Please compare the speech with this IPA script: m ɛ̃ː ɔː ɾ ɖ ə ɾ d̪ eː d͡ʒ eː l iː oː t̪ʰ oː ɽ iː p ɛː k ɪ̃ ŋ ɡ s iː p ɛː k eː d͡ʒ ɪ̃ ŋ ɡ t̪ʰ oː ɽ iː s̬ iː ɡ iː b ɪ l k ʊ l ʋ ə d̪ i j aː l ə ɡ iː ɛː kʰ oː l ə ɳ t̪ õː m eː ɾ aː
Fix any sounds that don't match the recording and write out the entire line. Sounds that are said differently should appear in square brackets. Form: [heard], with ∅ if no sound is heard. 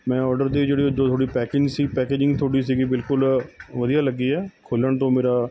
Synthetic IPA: m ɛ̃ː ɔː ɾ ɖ ə ɾ d̪ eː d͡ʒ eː [ɽ] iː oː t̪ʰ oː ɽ iː p ɛː k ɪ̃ ŋ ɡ s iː p ɛː k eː d͡ʒ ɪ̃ ŋ ɡ t̪ʰ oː ɽ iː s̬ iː ɡ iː b ɪ l k ʊ l ʋ ə d̪ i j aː l ə ɡ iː ɛː kʰ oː l ə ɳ t̪ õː m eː ɾ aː

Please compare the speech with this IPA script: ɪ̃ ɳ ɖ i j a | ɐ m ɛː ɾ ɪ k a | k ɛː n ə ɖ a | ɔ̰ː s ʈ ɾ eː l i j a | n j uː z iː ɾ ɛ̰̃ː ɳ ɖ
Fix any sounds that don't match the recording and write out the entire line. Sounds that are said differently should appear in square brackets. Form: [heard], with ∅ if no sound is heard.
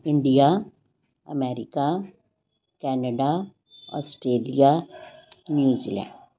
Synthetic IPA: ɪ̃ ɳ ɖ i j a | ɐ m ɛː ɾ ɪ k a | k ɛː n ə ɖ a | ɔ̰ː s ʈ ɾ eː l i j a | n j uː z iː [l] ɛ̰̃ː ɳ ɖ

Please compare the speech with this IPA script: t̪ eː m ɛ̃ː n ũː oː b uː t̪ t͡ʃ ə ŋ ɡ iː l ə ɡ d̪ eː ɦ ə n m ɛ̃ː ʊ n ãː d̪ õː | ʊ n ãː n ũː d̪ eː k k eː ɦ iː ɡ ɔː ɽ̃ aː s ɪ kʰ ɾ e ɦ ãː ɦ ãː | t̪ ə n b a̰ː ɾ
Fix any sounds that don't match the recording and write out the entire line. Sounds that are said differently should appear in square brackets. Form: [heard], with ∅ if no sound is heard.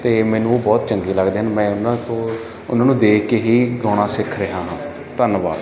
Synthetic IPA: t̪ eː m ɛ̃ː n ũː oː b [ɔː] t̪ t͡ʃ ə ŋ ɡ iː l ə ɡ d̪ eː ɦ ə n m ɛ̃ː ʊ n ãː [t̪] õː | ʊ n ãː n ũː d̪ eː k k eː ɦ iː ɡ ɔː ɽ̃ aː s ɪ kʰ ɾ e ɦ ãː ɦ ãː | t̪ ə n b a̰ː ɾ

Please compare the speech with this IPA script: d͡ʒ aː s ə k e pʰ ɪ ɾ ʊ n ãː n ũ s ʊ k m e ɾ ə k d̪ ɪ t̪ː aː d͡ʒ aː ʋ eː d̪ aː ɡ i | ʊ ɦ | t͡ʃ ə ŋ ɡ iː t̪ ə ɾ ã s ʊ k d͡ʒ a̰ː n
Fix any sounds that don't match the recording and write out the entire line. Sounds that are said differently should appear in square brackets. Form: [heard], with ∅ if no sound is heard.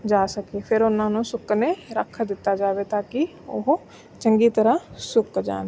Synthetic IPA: d͡ʒ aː s ə k e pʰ ɪ ɾ ʊ n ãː n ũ s ʊ k [n] e ɾ ə [kʰ] d̪ ɪ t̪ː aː d͡ʒ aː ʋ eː [t̪] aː [k] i | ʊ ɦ | t͡ʃ ə ŋ ɡ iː t̪ ə ɾ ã s ʊ k d͡ʒ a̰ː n

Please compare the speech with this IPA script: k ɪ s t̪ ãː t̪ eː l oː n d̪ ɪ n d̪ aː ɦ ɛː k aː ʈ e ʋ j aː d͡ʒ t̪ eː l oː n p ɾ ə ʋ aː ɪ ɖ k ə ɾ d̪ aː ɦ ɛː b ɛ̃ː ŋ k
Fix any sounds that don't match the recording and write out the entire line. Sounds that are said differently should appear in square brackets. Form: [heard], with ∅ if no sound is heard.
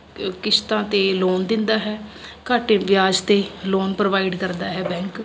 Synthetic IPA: k ɪ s t̪ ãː t̪ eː l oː n d̪ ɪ n d̪ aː ɦ ɛː k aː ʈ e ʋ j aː d͡ʒ t̪ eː l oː n p ɾ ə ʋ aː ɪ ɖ k ə ɾ d̪ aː ɦ ɛː b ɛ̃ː ŋ k

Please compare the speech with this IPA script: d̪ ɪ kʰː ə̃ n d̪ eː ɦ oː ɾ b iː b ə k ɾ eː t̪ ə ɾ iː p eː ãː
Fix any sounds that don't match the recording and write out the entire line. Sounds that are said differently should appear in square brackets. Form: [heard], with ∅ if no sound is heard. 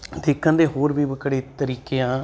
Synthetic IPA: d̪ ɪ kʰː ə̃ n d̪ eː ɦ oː ɾ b iː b ə k [ɽ] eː t̪ ə ɾ iː [k] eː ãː

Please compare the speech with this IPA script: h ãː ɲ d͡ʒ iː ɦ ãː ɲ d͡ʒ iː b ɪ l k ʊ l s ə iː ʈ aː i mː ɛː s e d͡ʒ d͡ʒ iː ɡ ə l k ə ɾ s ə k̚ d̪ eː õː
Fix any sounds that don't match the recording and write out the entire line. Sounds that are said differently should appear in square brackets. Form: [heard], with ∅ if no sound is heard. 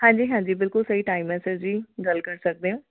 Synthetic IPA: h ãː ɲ d͡ʒ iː ɦ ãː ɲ d͡ʒ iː b ɪ l k ʊ l s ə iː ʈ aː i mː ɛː s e d͡ʒ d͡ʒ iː ɡ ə l k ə ɾ s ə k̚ d̪ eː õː

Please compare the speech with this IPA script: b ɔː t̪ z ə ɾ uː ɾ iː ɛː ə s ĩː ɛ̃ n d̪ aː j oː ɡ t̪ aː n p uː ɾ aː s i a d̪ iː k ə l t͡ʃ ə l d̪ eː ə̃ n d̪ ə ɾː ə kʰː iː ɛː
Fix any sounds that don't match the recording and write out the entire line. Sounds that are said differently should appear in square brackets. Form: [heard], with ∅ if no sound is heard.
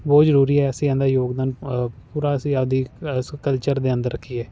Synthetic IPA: b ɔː t̪ z ə ɾ uː ɾ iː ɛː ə s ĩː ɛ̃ n d̪ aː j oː ɡ [d̪] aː n p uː ɾ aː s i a d̪ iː k ə l t͡ʃ ə [ɾ] d̪ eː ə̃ n d̪ ə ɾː ə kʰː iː ɛː

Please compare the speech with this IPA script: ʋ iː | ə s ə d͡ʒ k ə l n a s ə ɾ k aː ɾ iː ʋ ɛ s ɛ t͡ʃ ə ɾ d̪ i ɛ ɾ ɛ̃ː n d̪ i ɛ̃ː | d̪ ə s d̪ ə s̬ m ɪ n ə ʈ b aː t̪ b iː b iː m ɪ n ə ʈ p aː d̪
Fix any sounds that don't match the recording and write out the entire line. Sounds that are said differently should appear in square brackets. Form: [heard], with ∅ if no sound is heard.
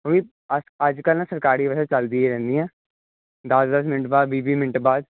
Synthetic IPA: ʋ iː | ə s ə d͡ʒ k ə l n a s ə ɾ k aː ɾ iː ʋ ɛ s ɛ t͡ʃ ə [l] d̪ i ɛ ɾ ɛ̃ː n d̪ i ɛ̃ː | d̪ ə s d̪ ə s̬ m ɪ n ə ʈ b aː [d̪] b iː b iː m ɪ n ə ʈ [b] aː d̪

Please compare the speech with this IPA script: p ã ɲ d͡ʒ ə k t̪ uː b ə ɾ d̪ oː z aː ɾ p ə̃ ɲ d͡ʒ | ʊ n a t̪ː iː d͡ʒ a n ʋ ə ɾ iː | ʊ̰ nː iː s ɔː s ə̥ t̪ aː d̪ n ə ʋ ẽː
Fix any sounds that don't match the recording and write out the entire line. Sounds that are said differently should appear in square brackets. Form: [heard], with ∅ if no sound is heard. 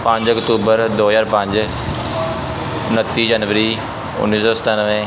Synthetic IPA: p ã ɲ d͡ʒ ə k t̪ uː b ə ɾ d̪ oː z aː ɾ p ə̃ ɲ d͡ʒ | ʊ n [ə] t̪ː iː d͡ʒ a n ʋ ə ɾ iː | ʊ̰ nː iː s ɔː s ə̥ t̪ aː [∅] n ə ʋ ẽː

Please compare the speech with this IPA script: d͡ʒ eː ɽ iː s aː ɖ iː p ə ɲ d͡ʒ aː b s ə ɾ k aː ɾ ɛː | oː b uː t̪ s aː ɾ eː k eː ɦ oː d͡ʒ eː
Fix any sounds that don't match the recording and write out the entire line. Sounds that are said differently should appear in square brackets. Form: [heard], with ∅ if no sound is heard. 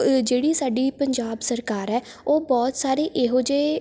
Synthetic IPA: d͡ʒ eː ɽ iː s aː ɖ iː p ə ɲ d͡ʒ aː b s ə ɾ k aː ɾ ɛː | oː b [ɔː] t̪ s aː ɾ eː [ʔ] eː ɦ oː d͡ʒ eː

